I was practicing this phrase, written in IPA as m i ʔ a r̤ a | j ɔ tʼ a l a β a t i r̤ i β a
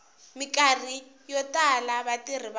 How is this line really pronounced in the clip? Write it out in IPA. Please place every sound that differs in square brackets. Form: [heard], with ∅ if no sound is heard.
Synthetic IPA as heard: m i [k] a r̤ [i] | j ɔ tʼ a l a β a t i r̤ i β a